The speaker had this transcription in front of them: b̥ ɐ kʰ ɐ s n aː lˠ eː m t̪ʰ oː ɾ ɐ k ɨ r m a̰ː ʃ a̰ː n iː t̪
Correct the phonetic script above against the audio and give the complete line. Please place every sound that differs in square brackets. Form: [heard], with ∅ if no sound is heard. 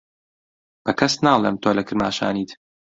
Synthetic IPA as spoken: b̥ ɐ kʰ ɐ s n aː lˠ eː m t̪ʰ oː [l] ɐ k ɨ [ɾ] m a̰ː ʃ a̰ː n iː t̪